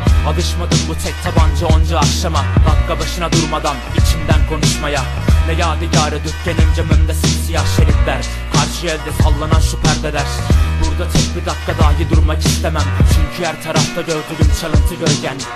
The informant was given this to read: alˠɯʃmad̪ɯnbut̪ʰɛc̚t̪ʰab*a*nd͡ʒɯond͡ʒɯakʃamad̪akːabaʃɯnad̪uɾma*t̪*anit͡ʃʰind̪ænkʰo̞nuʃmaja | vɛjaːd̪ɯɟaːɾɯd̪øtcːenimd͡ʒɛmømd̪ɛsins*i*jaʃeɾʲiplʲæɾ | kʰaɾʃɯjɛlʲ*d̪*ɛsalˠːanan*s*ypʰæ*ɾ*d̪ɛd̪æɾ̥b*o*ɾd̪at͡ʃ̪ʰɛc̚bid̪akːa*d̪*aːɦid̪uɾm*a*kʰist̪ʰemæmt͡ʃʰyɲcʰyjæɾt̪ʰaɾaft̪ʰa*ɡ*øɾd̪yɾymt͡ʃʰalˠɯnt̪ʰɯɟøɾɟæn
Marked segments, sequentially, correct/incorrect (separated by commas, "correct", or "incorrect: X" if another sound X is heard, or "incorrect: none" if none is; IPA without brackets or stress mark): correct, incorrect: d̪, correct, correct, incorrect: ʃ, correct, incorrect: u, correct, correct, incorrect: ɟ